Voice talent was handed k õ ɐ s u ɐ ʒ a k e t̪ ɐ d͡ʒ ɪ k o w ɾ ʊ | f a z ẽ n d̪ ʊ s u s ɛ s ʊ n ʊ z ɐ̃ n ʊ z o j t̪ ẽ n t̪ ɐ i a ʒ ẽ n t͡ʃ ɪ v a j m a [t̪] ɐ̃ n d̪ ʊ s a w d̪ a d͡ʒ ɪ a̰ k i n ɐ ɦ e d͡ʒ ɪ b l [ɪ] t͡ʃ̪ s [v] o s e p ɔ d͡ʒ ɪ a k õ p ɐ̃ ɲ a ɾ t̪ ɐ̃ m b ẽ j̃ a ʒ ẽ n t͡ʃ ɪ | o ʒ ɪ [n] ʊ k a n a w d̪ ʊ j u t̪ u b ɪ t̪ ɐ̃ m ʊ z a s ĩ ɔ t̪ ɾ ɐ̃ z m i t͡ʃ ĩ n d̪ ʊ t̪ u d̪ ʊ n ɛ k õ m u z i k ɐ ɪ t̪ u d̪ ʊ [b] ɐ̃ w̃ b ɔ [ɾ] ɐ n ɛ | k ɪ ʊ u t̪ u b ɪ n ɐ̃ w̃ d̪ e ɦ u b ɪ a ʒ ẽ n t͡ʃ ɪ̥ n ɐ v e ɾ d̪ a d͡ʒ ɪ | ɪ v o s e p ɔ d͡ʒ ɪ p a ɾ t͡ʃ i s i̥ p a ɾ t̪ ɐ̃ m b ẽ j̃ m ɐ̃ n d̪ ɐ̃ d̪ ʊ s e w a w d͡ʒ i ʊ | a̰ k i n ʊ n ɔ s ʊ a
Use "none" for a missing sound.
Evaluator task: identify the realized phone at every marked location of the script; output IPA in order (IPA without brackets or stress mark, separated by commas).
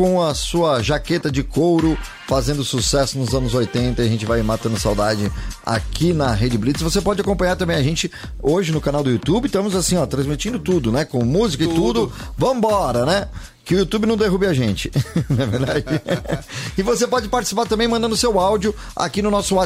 t̪, i, v, n, v, ɾ